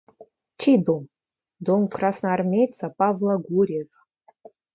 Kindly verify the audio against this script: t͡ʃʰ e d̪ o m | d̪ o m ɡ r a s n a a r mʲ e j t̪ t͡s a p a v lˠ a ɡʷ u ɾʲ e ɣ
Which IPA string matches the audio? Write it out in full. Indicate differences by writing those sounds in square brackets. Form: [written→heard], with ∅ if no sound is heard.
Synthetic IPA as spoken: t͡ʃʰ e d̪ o m | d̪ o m [ɡ→k] r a s n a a r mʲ e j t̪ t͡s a p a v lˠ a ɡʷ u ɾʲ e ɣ